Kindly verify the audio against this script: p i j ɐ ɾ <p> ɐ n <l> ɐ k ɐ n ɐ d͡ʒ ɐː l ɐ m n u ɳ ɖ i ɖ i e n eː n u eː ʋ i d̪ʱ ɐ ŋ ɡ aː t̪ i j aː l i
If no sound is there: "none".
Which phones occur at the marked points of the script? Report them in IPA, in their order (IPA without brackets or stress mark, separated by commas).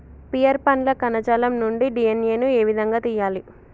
p, l